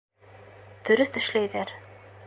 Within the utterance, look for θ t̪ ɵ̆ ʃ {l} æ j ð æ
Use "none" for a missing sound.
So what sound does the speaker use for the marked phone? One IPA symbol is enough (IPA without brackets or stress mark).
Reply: l